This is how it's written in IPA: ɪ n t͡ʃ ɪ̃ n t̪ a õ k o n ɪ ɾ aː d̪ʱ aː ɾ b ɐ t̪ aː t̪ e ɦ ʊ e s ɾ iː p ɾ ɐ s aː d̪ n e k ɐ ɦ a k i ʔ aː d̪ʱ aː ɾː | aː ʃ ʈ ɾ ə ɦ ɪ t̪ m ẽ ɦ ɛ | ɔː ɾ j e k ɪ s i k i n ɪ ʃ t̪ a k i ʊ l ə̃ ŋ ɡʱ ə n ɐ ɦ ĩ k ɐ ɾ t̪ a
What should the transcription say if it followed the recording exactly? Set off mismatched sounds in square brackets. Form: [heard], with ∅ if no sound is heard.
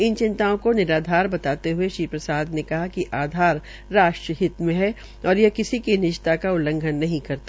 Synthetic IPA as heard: ɪ n t͡ʃ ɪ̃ n t̪ a õ k o n ɪ ɾ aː d̪ʱ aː ɾ b ɐ t̪ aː t̪ e ɦ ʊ e [ʃ] ɾ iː p ɾ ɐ s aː d̪ n e k ɐ ɦ a k i ʔ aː d̪ʱ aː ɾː | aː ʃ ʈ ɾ ə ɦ ɪ t̪ m ẽ ɦ ɛ | ɔː ɾ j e k ɪ s i k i n ɪ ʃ t̪ a k [a] ʊ l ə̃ ŋ ɡʱ ə [nː] ɐ ɦ ĩ k ɐ ɾ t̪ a